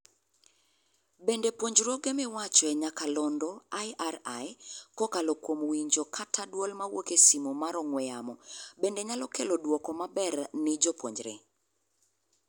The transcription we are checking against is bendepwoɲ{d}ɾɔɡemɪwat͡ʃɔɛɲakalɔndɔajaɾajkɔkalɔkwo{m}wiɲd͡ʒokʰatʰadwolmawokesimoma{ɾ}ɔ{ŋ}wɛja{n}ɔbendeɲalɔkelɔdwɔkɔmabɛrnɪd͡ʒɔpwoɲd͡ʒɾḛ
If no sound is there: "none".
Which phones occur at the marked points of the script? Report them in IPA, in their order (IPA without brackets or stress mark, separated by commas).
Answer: d͡ʒ, m, ɾ, ŋ, m